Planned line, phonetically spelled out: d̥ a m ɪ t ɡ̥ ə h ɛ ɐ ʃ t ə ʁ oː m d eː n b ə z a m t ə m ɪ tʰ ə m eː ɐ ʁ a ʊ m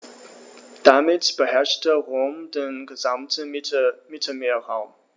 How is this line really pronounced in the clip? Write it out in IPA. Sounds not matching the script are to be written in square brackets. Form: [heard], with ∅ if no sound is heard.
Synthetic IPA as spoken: d̥ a m ɪ t [b̥] ə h ɛ ɐ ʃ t ə ʁ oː m d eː n [ɡ] ə z a m t ə m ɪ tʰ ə m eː ɐ ʁ a ʊ m